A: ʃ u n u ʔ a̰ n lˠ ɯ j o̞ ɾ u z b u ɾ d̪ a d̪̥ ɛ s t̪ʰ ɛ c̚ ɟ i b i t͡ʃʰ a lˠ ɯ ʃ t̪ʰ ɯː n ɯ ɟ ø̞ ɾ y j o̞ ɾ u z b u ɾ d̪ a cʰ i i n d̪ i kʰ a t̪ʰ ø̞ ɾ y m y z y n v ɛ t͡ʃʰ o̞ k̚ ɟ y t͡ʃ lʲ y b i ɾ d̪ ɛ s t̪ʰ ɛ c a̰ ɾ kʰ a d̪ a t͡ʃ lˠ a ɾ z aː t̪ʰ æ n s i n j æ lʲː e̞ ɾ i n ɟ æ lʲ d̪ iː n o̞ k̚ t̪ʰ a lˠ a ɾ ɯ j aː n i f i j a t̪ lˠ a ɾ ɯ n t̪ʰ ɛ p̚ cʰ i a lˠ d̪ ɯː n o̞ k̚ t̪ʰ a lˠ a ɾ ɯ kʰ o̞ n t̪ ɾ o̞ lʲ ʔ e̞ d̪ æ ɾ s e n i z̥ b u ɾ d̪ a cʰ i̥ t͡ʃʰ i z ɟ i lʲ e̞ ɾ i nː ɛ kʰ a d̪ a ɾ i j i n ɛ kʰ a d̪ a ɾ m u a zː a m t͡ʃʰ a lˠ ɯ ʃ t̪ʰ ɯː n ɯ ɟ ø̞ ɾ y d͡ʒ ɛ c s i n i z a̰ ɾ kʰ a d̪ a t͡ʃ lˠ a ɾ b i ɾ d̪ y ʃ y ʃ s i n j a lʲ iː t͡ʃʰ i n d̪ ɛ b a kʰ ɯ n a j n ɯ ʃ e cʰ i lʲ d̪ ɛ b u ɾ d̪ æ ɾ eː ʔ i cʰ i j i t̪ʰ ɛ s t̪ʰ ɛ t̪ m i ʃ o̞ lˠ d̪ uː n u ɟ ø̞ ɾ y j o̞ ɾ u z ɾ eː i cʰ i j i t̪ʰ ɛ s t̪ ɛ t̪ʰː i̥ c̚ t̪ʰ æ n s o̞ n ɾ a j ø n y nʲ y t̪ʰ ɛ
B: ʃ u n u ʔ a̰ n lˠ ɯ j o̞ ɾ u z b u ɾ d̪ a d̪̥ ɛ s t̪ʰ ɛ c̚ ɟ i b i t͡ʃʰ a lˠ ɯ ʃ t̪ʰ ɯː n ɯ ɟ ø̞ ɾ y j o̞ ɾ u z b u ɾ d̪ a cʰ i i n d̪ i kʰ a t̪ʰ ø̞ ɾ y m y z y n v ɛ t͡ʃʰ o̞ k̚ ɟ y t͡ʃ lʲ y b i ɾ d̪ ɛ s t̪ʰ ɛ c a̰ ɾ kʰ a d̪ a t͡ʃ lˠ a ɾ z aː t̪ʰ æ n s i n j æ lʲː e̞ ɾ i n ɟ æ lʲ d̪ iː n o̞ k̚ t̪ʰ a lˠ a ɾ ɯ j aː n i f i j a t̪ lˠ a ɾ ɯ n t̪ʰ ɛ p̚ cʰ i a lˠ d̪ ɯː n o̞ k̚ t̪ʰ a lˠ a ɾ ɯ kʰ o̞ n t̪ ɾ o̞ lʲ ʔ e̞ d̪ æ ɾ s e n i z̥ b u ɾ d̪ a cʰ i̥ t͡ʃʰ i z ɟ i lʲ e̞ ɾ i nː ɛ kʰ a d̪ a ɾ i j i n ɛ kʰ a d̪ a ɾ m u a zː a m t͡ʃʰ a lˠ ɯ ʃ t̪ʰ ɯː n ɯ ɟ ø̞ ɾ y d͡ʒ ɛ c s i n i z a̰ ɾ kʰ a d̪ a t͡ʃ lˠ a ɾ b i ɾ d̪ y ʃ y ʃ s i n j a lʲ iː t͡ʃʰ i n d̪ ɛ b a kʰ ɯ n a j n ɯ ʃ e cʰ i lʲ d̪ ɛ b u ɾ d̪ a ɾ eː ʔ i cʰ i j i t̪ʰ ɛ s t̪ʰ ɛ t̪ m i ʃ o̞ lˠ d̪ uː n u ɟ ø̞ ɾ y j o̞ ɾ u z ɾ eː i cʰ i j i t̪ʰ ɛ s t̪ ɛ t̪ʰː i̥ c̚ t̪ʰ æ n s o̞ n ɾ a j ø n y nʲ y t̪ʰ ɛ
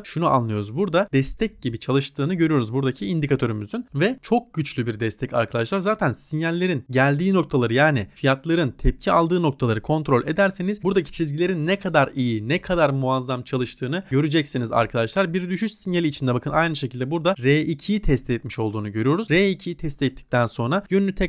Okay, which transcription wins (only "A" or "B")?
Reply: B